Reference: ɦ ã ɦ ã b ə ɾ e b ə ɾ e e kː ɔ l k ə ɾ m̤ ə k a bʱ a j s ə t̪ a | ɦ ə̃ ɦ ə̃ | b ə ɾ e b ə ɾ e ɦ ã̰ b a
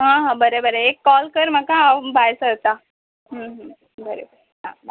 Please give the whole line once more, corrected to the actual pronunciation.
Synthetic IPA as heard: ɦ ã ɦ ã b ə ɾ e b ə ɾ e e kː ɔ l k ə ɾ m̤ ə k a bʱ a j s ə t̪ a | ɦ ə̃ ɦ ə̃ | b ə ɾ e b ə ɾ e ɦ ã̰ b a